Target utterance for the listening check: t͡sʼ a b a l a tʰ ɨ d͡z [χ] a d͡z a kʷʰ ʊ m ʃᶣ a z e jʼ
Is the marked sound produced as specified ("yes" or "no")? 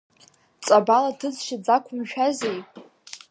no